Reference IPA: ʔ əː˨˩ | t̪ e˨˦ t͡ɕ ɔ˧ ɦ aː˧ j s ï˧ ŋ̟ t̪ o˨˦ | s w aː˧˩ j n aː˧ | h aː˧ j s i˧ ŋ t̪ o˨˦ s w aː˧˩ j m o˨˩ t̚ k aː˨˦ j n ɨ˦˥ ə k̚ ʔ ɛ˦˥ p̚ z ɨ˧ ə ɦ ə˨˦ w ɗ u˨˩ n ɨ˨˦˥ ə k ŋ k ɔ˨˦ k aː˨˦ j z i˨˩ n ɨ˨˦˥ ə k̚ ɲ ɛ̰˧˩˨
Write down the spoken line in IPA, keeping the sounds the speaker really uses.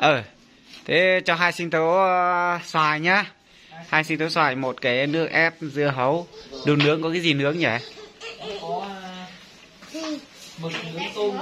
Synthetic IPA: ʔ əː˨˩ | t̪ʰ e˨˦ t͡ɕ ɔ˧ ɦ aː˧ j s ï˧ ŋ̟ t̪ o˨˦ | s w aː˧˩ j ɲ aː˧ | h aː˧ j s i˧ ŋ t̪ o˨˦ s w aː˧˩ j m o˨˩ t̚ k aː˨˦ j n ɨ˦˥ ə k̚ ʔ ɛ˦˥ p̚ z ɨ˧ ə ɦ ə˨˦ w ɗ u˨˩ n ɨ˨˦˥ ə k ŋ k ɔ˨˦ k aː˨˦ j z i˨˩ n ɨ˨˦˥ ə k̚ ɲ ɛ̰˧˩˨